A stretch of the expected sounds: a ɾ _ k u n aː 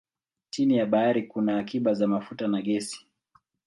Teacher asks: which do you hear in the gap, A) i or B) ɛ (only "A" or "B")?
A